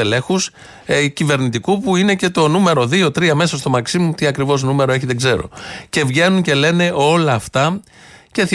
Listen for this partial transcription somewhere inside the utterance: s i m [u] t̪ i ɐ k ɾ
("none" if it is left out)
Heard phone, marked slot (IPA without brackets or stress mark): u